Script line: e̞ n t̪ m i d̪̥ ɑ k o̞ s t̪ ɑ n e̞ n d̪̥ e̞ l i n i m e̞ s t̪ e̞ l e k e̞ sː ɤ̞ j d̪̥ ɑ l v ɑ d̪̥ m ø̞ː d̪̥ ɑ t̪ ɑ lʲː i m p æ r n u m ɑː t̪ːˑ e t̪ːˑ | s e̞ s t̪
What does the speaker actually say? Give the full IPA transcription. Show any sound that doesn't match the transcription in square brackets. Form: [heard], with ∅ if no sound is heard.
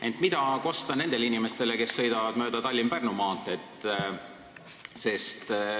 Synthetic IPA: e̞ n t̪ m i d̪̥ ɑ k o̞ s t̪ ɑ n e̞ n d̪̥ e̞ l i n i m e̞ s t̪ e̞ l e k e̞ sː ɤ̞ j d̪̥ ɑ [∅] v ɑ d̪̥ m ø̞ː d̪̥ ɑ t̪ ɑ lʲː i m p æ r n u m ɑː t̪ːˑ e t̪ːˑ | s e̞ s t̪